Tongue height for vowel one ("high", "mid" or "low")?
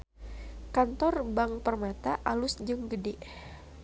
low